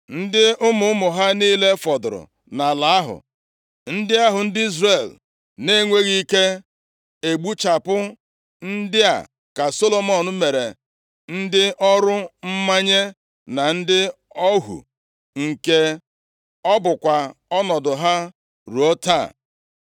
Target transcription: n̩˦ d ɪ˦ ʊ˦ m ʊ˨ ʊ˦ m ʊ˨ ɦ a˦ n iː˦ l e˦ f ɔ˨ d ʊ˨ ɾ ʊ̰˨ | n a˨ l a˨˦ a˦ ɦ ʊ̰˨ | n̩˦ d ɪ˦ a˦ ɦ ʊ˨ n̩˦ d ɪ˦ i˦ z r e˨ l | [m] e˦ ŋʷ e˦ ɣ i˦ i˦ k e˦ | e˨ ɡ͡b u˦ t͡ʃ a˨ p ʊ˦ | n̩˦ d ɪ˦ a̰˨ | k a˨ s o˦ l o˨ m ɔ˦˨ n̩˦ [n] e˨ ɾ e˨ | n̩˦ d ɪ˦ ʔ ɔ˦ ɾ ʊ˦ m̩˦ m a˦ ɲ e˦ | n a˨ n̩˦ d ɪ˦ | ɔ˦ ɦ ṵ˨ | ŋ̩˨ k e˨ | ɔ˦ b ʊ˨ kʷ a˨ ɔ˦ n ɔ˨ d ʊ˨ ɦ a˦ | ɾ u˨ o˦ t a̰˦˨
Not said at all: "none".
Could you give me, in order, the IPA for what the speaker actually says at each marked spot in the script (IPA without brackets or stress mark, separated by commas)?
n, m